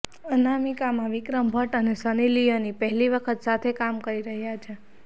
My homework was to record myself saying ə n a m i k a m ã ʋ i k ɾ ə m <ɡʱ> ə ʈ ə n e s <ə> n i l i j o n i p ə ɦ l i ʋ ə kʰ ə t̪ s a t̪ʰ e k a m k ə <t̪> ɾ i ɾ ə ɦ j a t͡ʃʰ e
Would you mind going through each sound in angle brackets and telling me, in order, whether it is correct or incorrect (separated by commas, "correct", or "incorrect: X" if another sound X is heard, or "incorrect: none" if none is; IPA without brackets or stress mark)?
incorrect: bʱ, correct, incorrect: none